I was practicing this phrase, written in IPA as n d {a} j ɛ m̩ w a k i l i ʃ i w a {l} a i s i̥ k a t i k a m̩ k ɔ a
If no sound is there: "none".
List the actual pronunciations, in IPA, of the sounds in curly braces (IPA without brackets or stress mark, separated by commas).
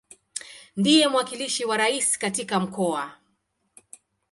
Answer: i, ɾ